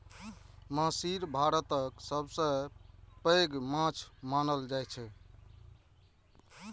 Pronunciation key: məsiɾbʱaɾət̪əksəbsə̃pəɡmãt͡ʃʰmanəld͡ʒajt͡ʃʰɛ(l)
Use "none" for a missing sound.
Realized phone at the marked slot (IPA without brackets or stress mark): none